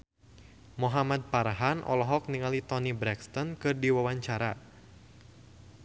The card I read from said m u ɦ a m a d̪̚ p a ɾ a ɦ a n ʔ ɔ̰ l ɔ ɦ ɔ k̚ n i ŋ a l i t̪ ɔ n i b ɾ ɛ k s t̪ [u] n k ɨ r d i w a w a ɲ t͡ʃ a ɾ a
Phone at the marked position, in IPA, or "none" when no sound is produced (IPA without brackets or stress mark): ɔ